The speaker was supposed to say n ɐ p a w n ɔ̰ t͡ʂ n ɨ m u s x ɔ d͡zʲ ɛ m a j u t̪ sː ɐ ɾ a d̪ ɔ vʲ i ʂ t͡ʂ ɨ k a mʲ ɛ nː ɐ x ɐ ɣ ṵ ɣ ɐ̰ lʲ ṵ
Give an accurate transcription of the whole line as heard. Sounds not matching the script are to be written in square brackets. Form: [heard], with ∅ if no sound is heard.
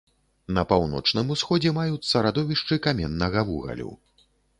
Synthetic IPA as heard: n ɐ p a w n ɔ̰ t͡ʂ n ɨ m u s x ɔ d͡zʲ ɛ m a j u t̪ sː ɐ ɾ a d̪ ɔ vʲ i ʂ t͡ʂ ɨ k a mʲ ɛ nː ɐ [ɣ] ɐ [v] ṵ ɣ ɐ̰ lʲ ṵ